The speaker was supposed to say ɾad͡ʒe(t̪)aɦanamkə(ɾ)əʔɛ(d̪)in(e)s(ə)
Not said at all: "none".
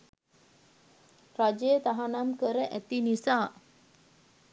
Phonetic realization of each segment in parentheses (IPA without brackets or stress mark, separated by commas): t̪, ɾ, t̪, i, a